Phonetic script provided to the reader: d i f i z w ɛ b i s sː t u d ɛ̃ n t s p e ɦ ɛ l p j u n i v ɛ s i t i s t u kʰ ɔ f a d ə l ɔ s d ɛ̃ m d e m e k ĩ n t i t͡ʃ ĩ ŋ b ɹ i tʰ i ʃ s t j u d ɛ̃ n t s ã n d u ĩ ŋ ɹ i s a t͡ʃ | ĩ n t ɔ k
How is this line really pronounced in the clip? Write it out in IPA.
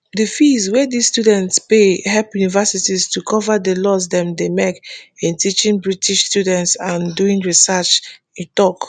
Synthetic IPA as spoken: d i f i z w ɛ d i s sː t u d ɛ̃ n t s p e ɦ ɛ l p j u n i v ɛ s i t i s t u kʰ ɔ v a d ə l ɔ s d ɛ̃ m d e m e k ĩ n t i t͡ʃ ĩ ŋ b ɹ i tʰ i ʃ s t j u d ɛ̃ n t s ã n d u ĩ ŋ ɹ i s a t͡ʃ | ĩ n t ɔ k